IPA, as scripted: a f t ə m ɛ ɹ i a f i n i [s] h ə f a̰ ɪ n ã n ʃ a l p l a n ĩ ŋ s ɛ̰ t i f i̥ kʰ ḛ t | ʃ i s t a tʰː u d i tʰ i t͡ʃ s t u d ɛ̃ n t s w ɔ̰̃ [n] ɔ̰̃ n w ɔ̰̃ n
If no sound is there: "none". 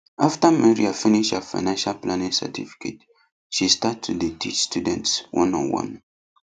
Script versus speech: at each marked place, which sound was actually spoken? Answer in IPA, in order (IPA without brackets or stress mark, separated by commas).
ʃ, n